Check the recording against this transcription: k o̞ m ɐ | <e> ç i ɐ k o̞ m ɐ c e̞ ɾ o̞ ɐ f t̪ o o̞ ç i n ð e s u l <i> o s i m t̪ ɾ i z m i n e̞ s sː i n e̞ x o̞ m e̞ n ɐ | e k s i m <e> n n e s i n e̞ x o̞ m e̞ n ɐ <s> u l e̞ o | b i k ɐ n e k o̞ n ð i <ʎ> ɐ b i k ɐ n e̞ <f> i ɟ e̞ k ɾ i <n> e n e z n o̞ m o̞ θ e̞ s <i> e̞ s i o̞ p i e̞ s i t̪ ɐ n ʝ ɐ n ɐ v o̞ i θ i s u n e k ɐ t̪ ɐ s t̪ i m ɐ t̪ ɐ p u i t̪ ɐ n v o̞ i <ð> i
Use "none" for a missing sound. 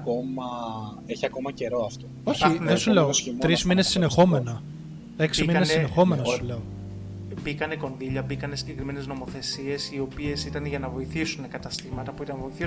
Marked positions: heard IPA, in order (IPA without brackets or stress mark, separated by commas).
e, e, i, s, ʎ, s, m, i, θ